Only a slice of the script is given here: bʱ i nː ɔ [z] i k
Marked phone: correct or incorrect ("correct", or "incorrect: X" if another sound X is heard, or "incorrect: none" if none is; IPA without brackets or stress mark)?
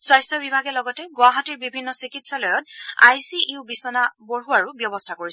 incorrect: s